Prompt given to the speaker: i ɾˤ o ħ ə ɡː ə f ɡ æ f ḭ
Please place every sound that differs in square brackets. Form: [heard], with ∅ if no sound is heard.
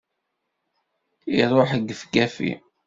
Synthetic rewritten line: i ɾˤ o ħ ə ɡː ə f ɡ æ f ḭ